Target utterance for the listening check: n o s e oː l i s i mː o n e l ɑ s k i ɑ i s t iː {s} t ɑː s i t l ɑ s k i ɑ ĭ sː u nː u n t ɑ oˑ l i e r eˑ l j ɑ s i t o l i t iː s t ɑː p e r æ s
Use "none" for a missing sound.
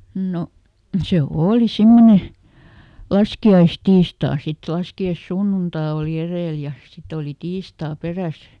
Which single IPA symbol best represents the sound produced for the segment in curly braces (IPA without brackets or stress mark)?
s